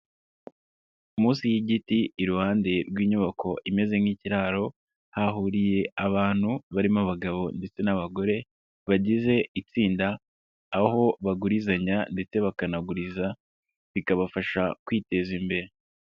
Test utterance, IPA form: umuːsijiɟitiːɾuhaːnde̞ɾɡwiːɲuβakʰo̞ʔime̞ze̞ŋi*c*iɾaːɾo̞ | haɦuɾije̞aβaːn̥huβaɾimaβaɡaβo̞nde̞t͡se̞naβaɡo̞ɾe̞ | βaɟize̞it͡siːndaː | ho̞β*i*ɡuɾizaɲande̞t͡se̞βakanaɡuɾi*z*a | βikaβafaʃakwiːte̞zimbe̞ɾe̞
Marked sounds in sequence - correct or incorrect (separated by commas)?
correct, incorrect, correct